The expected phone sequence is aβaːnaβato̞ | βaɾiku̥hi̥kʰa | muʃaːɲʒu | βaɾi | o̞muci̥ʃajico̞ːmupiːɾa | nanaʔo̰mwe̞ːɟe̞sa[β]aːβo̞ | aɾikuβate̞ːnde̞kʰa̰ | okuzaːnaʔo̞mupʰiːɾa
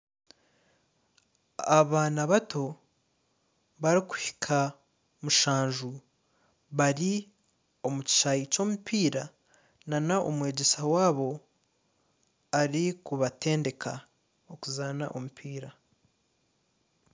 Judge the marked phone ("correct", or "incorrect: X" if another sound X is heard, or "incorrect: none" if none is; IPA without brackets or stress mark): incorrect: w